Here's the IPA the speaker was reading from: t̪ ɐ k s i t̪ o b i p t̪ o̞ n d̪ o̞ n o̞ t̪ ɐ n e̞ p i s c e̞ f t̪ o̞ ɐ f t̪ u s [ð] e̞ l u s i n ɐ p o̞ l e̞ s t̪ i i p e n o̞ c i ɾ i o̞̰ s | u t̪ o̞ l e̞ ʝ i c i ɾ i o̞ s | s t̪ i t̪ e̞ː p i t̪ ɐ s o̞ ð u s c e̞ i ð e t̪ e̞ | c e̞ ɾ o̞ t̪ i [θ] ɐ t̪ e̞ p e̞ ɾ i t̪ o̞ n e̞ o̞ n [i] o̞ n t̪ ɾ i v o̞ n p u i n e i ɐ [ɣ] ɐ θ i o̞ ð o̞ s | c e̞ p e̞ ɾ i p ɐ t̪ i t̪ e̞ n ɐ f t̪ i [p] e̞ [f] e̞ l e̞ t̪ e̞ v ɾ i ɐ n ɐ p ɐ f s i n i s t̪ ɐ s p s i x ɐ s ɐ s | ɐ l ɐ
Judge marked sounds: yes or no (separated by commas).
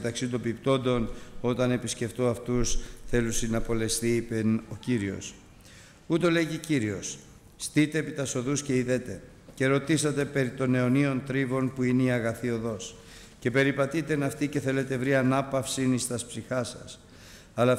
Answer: no, no, yes, yes, no, no